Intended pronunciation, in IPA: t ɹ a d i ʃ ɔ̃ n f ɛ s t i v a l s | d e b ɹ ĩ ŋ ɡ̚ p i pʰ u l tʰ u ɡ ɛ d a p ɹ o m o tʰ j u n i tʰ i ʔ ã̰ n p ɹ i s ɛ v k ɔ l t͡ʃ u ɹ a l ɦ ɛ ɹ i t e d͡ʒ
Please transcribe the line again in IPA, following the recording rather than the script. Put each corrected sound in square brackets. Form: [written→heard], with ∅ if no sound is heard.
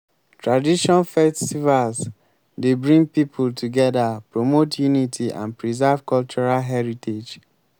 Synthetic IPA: t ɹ a d i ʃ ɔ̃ n f ɛ s t i v a l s | d e b ɹ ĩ ŋ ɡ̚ p i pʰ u l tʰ u ɡ ɛ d a p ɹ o m o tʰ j u n i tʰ i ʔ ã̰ n p ɹ i [s→z] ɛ v k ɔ l t͡ʃ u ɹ a l ɦ ɛ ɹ i t e d͡ʒ